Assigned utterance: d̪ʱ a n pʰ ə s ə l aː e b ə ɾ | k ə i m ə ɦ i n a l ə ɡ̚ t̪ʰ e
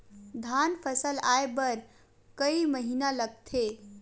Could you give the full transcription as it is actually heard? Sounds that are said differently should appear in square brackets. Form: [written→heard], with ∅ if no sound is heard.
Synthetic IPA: d̪ʱ a n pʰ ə s ə l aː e b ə ɾ | k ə i m ə ɦ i n a l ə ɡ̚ t̪ʰ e